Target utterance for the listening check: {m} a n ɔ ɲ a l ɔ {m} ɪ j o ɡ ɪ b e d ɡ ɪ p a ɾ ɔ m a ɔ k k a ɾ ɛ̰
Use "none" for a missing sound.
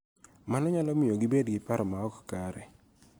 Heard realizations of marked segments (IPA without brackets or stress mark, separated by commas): m, m